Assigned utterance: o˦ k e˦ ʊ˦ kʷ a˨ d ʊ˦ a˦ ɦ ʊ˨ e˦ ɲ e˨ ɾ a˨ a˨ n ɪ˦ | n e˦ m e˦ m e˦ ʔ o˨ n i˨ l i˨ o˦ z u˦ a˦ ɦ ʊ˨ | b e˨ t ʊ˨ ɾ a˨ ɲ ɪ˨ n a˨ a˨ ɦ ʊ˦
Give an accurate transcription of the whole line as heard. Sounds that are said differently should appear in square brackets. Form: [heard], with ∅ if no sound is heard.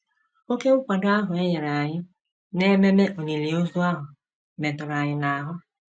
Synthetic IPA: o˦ k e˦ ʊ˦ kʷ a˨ d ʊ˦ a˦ ɦ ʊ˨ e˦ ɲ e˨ ɾ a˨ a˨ [ɲ] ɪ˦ | n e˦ m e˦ m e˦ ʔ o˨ n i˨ l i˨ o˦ z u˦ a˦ ɦ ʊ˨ | [m] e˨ t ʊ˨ ɾ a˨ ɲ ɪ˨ n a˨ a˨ ɦ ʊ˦